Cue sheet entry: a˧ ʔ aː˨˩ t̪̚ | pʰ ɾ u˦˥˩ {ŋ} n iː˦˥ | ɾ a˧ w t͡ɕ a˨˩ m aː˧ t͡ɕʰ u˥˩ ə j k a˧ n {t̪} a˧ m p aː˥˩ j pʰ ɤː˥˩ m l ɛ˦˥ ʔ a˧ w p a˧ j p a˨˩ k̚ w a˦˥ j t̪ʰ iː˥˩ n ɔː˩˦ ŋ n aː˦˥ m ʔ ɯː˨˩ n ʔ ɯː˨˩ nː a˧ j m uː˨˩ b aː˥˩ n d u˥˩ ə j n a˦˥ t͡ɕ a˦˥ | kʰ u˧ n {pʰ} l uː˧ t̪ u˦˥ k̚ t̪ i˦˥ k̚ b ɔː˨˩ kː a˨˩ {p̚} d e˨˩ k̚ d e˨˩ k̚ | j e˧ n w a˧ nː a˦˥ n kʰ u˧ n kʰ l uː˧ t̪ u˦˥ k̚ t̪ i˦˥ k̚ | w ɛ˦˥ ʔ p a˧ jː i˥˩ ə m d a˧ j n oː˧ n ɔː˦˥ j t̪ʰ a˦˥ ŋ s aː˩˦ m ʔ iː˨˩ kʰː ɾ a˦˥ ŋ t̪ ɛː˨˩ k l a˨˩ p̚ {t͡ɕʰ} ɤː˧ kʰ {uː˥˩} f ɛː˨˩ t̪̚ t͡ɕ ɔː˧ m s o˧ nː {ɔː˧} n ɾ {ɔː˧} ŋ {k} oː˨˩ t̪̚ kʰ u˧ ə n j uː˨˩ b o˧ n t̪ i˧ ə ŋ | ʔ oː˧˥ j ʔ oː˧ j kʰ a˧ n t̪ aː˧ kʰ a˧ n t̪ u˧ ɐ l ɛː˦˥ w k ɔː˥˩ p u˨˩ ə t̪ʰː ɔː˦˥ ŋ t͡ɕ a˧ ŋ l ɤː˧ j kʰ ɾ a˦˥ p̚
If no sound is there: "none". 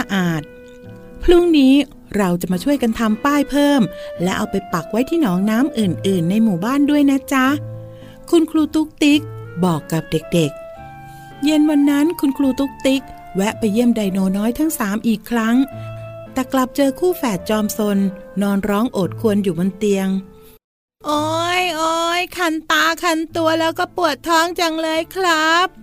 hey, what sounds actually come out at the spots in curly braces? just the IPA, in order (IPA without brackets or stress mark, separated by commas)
ŋ, t̪ʰ, kʰ, p̚, t͡ɕ, uː˥˩, ɔː˧, ɔː˦˥, ʔ